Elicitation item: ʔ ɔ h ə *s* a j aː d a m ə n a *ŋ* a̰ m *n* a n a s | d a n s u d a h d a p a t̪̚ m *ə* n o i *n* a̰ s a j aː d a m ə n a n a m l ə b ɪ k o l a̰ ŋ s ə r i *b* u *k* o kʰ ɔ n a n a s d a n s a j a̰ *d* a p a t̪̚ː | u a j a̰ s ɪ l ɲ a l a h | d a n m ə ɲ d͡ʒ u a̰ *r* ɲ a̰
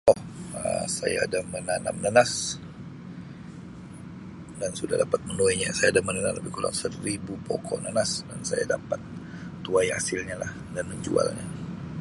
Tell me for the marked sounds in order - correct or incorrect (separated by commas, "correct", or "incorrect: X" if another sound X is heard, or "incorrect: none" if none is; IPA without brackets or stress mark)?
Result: correct, incorrect: n, correct, correct, incorrect: ɲ, correct, incorrect: p, correct, incorrect: l